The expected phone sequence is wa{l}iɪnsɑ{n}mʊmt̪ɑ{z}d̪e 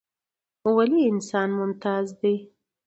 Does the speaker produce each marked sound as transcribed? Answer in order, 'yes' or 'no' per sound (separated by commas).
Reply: yes, yes, yes